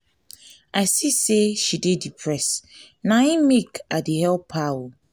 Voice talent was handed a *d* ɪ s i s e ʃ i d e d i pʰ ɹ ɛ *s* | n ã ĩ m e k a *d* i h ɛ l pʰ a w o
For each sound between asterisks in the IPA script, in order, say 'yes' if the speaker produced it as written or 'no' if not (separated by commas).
no, yes, yes